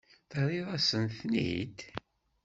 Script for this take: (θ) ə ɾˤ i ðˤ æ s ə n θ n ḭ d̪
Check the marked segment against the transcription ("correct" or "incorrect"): correct